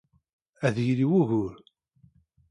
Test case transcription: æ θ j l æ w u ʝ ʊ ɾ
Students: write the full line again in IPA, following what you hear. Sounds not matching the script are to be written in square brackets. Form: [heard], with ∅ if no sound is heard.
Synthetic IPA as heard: æ [ð] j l [i] w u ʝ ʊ ɾ